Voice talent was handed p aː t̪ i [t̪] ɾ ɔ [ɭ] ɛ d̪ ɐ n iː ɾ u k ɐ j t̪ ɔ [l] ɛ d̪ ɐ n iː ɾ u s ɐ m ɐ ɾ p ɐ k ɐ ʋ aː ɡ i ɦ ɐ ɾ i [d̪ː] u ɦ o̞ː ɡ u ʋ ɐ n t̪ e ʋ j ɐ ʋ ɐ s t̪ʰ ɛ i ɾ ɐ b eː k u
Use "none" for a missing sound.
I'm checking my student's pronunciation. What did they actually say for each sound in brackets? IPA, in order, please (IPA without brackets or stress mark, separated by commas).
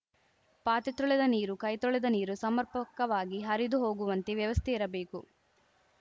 t̪, ɭ, ɭ, d̪